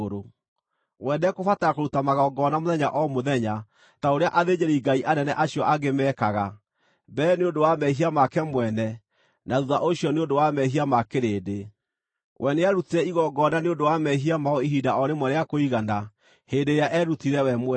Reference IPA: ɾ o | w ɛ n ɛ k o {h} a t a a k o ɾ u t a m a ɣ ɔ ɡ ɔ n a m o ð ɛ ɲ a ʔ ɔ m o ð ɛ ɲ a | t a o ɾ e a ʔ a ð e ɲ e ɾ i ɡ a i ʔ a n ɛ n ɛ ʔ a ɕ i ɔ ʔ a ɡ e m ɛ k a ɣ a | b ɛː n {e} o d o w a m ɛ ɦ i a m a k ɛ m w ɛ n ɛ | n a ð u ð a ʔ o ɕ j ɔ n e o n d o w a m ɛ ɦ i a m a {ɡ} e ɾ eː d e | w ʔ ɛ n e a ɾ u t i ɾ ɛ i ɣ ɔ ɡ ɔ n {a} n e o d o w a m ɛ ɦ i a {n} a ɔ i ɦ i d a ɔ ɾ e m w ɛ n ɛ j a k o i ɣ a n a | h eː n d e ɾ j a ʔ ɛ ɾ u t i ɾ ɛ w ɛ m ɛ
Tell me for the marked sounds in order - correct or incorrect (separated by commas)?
incorrect, correct, incorrect, correct, incorrect